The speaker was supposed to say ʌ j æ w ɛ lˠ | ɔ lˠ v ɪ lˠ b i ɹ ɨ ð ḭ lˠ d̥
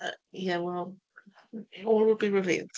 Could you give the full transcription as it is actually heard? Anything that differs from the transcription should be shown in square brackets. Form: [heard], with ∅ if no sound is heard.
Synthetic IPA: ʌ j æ w ɛ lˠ | ɔ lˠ [w] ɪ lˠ b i ɹ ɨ [v] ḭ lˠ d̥